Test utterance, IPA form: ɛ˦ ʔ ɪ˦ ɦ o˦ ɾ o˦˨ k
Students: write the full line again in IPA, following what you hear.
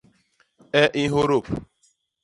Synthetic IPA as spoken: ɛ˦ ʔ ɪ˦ ɦ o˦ ɾ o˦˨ p